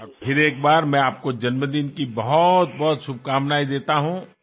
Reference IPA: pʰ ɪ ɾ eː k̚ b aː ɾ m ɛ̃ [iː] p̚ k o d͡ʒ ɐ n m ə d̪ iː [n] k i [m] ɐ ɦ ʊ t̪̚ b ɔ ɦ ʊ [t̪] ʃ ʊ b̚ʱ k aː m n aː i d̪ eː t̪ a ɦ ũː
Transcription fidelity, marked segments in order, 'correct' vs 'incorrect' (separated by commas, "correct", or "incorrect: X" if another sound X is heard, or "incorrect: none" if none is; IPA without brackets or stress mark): incorrect: aː, correct, incorrect: b, correct